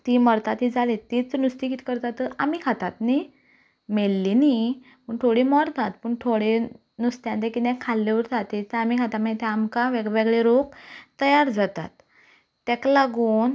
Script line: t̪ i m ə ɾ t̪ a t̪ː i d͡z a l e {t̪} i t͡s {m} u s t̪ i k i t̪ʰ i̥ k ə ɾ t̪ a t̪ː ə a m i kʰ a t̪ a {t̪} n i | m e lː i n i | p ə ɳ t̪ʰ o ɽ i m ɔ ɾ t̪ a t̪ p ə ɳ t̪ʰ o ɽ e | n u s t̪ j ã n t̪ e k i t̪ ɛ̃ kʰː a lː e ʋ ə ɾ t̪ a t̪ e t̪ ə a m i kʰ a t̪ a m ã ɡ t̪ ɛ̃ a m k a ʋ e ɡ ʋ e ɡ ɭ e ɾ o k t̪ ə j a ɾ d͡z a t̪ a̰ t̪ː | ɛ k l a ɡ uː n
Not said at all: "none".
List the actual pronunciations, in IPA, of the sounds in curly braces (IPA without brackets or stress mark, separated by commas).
t̪, n, t̪